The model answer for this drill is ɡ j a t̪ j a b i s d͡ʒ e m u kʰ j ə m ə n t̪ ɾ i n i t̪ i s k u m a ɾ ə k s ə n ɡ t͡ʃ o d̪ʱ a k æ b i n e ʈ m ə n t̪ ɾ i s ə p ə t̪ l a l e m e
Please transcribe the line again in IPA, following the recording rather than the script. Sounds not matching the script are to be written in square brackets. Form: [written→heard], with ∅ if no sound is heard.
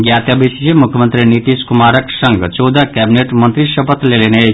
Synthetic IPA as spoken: ɡ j a t̪ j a b i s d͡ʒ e m u kʰ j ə m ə n t̪ ɾ i n i t̪ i s k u m a ɾ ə k s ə [n→ŋ] ɡ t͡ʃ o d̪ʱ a k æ b i n e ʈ m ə n t̪ ɾ i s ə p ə t̪ l [a→e] l e [m→n] e